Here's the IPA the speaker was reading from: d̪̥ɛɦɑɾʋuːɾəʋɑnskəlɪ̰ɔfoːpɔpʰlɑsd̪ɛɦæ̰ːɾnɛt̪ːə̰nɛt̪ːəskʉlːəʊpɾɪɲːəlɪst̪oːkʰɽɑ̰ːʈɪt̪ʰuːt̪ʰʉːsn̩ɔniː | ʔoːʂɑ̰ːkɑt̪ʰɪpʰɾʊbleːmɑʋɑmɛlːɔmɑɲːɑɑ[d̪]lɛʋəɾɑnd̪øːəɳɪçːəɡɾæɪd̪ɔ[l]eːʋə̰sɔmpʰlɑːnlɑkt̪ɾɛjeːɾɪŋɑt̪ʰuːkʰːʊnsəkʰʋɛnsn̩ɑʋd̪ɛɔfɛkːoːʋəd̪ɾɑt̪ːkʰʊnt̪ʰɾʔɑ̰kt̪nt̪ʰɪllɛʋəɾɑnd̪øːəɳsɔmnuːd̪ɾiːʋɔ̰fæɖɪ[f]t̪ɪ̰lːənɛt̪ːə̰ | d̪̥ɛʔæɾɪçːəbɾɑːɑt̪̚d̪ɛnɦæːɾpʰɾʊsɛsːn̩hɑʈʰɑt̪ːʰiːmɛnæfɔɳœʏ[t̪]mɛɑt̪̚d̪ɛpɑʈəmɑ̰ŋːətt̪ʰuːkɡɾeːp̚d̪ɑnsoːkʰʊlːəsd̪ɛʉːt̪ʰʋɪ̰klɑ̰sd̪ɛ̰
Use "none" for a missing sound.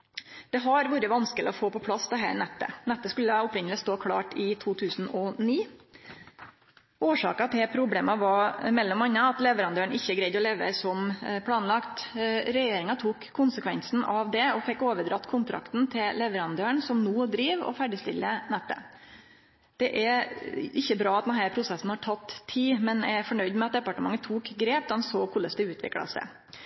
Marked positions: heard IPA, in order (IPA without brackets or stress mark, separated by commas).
t̪, l, s, d̪